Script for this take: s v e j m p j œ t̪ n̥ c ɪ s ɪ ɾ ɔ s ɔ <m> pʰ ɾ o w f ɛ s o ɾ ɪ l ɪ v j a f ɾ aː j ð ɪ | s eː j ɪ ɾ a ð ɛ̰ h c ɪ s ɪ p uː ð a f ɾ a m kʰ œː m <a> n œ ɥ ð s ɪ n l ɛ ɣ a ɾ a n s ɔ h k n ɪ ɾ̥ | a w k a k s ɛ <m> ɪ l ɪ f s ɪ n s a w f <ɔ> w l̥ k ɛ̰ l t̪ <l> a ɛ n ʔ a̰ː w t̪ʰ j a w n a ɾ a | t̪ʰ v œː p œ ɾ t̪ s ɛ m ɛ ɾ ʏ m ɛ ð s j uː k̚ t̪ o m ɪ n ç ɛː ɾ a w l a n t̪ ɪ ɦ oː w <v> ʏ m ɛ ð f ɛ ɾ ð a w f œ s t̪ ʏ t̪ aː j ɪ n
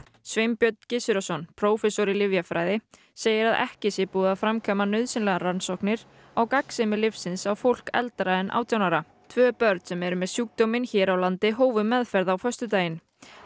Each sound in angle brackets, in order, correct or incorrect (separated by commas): incorrect, correct, correct, incorrect, incorrect, correct